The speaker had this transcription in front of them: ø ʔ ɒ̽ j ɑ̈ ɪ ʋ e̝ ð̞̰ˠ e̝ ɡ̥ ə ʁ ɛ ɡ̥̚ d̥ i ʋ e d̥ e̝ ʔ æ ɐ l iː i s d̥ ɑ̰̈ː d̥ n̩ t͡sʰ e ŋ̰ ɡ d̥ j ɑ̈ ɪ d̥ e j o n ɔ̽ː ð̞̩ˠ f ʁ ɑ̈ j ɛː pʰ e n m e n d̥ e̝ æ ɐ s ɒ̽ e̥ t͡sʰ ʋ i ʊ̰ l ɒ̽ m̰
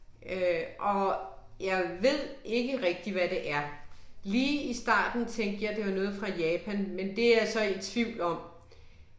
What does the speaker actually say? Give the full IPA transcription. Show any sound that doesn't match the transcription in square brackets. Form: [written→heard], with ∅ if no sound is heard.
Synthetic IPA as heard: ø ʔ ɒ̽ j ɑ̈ ɪ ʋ e̝ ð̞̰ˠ e̝ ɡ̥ ə ʁ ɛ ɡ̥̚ d̥ i ʋ [e→æ] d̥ e̝ ʔ æ ɐ l iː i s d̥ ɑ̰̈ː d̥ n̩ t͡sʰ e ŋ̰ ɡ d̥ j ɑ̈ ɪ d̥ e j o n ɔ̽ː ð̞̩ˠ f ʁ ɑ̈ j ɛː pʰ [e→æ] n m e n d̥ e̝ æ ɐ s ɒ̽ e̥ t͡sʰ ʋ i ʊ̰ l ɒ̽ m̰

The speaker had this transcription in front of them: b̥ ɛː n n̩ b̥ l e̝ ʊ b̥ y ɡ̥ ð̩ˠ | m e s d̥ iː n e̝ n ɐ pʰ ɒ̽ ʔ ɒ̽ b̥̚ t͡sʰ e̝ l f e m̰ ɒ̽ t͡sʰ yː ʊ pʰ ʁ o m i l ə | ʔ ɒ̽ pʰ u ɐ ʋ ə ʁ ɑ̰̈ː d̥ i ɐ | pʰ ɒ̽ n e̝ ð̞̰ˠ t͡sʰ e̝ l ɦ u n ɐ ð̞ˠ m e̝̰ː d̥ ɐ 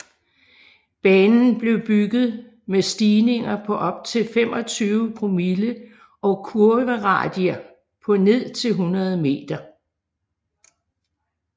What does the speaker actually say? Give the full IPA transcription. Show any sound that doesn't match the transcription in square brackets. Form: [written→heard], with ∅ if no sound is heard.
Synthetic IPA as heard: b̥ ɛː n n̩ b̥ l e̝ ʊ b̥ y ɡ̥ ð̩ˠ | m e s d̥ iː n e̝ [n→ŋ] ɐ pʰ ɒ̽ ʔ ɒ̽ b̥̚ t͡sʰ e̝ l f e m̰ ɒ̽ t͡sʰ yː ʊ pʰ ʁ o m i l ə | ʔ ɒ̽ [pʰ→kʰ] u ɐ ʋ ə ʁ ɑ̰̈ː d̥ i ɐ | pʰ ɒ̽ n e̝ ð̞̰ˠ t͡sʰ e̝ l ɦ u n ɐ ð̞ˠ m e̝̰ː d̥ ɐ

